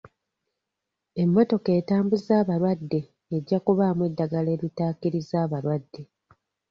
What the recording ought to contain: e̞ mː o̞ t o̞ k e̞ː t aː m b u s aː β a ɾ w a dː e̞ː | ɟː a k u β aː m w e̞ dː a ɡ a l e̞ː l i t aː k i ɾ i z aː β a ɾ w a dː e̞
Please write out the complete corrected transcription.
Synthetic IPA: e̞ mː o̞ t o̞ k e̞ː t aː m b u z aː β a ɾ w a dː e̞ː | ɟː a k u β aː m w e̞ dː a ɡ a l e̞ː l i t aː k i ɾ i z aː β a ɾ w a dː e̞